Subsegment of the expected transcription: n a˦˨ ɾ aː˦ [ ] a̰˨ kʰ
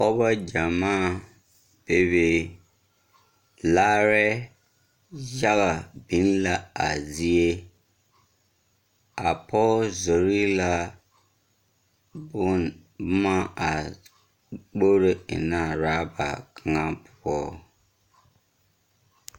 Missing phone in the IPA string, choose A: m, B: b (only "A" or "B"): B